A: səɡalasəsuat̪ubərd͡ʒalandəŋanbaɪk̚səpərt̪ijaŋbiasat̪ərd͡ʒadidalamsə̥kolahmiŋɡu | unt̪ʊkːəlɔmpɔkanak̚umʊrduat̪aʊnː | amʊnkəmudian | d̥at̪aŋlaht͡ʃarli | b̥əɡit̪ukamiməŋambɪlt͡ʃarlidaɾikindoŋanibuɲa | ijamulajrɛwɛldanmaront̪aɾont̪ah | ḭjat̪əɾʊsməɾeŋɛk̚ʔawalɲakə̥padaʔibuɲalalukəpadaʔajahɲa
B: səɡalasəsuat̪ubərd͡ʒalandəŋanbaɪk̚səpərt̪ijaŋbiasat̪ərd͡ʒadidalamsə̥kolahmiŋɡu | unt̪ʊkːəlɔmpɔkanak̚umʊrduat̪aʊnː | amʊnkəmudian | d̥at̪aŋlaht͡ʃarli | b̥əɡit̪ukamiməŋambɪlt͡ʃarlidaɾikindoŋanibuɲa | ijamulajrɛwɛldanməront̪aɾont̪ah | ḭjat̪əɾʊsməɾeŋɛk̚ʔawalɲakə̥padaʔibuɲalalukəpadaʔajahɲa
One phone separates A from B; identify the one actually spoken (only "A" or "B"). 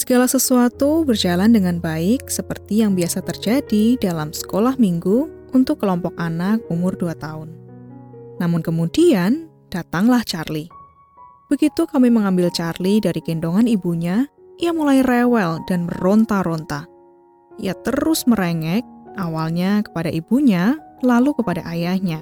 B